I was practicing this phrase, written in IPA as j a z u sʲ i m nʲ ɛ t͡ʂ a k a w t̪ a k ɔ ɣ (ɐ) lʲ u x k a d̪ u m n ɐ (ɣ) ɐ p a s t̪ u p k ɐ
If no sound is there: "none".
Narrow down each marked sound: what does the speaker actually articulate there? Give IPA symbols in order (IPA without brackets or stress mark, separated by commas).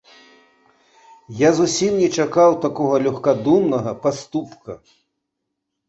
ɐ, ɣ